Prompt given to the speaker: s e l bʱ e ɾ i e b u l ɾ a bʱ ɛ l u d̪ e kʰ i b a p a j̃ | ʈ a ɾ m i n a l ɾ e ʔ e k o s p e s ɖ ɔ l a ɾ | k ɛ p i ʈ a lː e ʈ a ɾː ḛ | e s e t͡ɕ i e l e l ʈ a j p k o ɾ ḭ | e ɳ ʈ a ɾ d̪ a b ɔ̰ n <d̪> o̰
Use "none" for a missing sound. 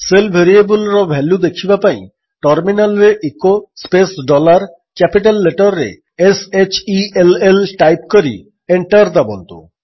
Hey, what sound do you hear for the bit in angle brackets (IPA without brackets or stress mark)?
t̪